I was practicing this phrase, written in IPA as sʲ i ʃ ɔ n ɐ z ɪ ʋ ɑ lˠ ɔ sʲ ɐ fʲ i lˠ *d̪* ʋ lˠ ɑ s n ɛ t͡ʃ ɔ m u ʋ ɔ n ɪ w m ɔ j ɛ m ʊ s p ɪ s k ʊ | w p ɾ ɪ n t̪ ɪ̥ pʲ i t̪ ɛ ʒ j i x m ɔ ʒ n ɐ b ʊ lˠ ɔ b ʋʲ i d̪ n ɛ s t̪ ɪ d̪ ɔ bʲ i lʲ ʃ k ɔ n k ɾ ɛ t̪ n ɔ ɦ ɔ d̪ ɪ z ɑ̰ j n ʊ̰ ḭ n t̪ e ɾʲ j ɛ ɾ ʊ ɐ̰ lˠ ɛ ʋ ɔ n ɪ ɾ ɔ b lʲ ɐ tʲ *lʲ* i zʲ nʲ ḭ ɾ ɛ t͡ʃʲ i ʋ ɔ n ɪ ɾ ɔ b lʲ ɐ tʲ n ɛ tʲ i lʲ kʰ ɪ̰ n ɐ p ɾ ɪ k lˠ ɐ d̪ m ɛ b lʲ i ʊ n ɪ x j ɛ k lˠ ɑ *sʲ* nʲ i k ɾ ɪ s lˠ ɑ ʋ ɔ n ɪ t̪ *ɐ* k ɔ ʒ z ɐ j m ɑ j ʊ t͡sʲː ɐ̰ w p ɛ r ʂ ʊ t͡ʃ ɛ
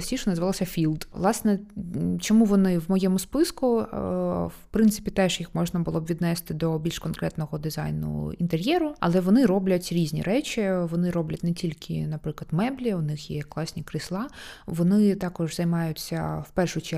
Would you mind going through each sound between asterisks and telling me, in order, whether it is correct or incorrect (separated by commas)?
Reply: correct, incorrect, correct, incorrect